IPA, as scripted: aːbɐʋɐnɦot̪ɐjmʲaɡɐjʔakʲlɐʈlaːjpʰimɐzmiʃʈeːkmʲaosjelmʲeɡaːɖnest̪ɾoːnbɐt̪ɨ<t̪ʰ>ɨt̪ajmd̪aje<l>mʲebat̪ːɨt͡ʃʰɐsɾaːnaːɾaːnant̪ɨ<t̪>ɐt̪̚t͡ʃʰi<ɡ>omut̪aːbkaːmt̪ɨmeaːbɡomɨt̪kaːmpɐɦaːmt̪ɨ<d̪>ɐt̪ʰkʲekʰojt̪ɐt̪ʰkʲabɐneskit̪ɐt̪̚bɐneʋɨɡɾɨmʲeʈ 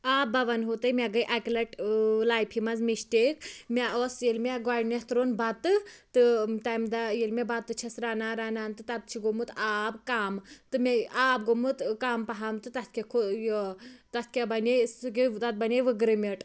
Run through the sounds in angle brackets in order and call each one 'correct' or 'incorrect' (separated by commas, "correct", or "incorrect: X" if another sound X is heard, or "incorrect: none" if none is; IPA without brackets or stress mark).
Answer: incorrect: t̪, correct, correct, correct, incorrect: t̪